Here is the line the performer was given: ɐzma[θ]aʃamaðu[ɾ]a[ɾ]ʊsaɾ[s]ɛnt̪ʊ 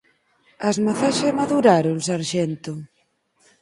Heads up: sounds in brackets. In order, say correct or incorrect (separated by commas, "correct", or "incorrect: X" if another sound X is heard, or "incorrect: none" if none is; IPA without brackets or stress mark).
correct, correct, correct, incorrect: ʃ